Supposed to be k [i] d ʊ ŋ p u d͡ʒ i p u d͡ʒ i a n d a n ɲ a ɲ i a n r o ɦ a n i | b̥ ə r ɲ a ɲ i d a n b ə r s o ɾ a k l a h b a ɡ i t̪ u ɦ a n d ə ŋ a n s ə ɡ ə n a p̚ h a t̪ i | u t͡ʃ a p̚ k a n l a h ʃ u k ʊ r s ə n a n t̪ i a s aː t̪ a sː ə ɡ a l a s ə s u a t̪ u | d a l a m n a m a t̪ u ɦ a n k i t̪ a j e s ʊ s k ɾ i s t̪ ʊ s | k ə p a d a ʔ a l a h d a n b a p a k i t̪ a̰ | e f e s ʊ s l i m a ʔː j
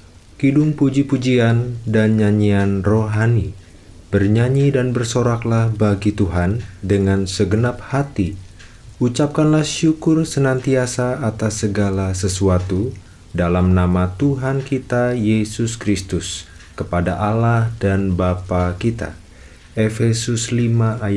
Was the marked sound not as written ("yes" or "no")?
no